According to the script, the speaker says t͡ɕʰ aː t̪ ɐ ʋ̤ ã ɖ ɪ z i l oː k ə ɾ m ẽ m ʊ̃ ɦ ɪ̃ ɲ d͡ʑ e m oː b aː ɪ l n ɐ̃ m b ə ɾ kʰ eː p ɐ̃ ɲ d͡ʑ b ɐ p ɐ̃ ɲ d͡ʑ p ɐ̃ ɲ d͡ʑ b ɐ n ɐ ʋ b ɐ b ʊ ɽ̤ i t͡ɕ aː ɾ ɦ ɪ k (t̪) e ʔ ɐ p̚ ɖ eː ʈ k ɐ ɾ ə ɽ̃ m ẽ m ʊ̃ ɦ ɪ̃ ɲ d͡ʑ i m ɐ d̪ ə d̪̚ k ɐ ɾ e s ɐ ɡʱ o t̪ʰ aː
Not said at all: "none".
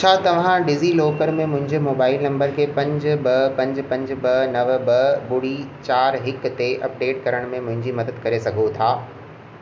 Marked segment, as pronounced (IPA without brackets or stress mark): t̪